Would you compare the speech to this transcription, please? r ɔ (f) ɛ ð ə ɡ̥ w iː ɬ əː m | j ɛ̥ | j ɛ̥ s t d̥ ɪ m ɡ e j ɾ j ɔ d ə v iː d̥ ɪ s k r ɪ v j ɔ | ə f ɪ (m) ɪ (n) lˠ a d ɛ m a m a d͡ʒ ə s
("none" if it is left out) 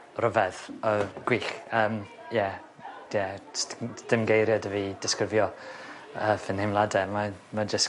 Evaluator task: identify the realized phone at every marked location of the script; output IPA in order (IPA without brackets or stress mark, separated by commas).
v, n, m